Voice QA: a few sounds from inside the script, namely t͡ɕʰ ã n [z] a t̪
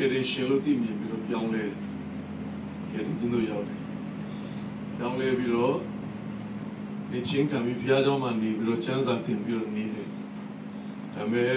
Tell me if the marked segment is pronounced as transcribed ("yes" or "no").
yes